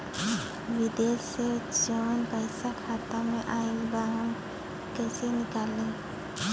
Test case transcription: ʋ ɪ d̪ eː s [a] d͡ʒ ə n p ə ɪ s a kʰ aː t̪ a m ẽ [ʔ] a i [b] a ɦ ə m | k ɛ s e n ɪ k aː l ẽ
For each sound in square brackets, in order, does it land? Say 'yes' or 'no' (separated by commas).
no, yes, yes